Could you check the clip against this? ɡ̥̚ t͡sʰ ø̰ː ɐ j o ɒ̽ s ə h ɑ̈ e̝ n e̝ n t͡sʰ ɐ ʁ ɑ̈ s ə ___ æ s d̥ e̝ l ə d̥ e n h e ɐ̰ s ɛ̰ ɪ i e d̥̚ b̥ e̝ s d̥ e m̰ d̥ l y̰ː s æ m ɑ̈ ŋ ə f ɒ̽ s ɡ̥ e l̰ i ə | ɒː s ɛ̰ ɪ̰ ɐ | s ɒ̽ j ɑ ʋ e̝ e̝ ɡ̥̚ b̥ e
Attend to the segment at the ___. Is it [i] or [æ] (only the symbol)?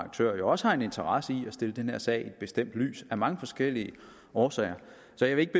i